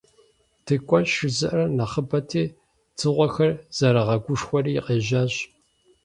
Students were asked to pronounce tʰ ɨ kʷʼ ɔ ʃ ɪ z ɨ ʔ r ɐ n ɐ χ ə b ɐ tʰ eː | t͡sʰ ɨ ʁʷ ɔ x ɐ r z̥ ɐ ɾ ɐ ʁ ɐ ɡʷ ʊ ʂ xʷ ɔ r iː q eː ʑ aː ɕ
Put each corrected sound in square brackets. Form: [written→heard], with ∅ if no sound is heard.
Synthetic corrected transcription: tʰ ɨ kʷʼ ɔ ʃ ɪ z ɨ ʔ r ɐ n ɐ χ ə b ɐ tʰ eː | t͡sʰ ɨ ʁʷ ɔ x ɐ r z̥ ɐ ɾ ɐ ʁ ɐ ɡʷ ʊ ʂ xʷ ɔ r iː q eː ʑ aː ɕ